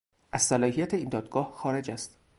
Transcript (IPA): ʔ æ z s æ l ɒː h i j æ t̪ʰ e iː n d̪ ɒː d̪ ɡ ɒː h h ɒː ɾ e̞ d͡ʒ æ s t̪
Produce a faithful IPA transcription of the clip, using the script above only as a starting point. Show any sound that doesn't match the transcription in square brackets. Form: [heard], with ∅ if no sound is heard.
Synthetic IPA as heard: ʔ æ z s æ l ɒː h i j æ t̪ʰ e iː n d̪ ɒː d̪ ɡ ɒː h [x] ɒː ɾ e̞ d͡ʒ æ s t̪